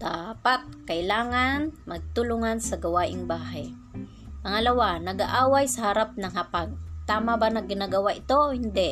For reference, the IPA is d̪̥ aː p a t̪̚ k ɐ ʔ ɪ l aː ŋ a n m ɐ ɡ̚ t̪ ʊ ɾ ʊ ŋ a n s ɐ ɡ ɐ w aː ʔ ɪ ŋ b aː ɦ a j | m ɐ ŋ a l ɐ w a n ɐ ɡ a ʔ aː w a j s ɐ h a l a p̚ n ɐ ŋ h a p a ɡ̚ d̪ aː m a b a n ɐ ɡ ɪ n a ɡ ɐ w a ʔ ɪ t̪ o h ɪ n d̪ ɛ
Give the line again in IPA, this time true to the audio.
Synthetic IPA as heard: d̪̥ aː p a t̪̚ k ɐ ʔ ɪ l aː ŋ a n m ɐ ɡ̚ t̪ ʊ l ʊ ŋ a n s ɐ ɡ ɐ w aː ʔ ɪ ŋ b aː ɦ a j | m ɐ ŋ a l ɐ w a n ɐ ɡ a ʔ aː w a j s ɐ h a ɾ a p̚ n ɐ ŋ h a p a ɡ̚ t̪ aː m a b a n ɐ ɡ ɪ n a ɡ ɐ w a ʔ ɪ t̪ o h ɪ n d̪ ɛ